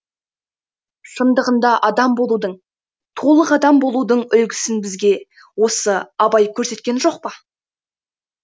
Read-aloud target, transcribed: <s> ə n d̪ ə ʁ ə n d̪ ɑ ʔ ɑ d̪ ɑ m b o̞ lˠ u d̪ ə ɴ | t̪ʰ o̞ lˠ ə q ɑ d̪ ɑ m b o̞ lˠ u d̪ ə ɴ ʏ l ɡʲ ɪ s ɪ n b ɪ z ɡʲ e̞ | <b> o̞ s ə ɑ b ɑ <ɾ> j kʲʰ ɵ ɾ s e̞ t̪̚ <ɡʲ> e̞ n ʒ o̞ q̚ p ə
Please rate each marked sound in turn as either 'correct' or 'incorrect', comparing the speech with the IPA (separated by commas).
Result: incorrect, incorrect, incorrect, incorrect